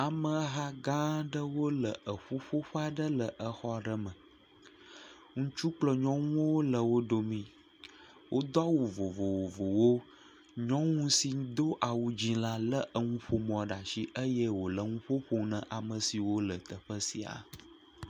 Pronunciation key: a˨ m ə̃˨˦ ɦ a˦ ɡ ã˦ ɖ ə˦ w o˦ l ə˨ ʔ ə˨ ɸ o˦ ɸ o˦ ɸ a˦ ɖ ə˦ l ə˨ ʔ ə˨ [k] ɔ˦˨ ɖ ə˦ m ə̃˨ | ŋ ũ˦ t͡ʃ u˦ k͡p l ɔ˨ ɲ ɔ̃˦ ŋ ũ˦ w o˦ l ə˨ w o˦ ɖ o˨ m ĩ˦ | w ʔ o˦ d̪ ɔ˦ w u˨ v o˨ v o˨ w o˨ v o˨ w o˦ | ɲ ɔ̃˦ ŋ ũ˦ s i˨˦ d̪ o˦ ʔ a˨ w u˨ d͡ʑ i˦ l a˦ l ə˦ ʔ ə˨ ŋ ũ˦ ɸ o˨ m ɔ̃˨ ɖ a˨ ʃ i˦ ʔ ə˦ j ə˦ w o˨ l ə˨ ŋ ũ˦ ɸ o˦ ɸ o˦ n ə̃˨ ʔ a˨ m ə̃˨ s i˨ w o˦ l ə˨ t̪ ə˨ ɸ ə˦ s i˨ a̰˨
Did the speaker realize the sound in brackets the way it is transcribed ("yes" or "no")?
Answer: no